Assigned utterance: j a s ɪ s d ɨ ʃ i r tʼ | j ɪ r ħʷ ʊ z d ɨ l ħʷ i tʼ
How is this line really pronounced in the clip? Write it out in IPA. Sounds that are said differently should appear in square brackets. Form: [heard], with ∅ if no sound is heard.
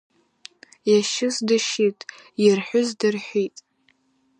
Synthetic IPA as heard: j a [ʃ] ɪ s d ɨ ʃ i [∅] tʼ | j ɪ r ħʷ ʊ z d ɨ [r] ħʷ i tʼ